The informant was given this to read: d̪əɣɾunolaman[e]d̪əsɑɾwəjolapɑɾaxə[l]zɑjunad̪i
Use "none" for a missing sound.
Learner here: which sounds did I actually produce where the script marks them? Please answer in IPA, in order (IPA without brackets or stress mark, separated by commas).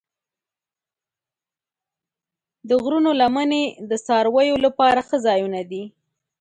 e, none